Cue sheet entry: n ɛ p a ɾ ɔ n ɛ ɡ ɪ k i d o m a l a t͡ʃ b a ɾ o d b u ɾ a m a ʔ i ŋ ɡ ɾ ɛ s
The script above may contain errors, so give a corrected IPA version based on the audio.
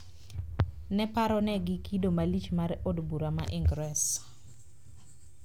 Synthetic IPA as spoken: n ɛ p a ɾ ɔ n ɛ ɡ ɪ k i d o m a l i t͡ʃ m a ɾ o d b u ɾ a m a ʔ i ŋ ɡ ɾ ɛ s